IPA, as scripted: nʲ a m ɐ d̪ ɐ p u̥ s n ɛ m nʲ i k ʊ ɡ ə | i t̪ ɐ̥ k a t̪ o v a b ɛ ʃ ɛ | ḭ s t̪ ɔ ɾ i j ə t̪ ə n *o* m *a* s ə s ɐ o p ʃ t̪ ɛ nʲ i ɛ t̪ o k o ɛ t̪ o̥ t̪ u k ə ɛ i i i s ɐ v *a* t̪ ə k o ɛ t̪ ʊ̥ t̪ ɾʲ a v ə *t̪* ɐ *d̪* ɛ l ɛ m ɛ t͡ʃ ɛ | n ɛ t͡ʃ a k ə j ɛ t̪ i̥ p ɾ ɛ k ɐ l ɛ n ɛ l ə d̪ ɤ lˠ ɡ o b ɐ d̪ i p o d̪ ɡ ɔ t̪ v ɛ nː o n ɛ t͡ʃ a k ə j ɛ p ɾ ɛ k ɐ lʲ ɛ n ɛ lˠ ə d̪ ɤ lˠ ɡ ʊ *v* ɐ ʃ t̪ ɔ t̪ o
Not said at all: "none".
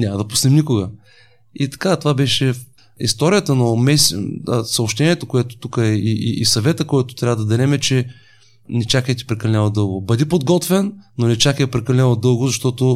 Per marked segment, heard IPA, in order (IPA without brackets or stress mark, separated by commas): o, ɛ, ɛ, d̪, d̪, z